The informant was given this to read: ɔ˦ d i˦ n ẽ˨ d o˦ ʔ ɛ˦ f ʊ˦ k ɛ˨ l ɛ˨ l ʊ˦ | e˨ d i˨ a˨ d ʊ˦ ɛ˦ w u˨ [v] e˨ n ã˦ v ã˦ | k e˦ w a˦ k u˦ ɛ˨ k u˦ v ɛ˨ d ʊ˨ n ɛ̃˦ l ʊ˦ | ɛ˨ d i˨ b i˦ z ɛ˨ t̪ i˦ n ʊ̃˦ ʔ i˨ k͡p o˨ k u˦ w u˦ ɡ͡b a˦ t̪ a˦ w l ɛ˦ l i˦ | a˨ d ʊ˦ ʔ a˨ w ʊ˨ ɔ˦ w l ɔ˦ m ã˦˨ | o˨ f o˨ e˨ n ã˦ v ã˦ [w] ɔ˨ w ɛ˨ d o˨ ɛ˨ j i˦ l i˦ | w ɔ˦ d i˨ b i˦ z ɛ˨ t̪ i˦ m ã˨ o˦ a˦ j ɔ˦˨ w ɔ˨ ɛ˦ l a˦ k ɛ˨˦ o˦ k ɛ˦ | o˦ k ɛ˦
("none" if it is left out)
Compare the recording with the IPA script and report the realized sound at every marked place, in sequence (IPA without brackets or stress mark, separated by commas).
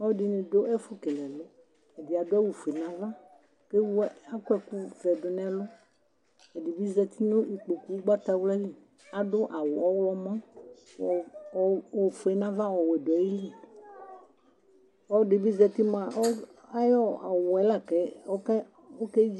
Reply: f, w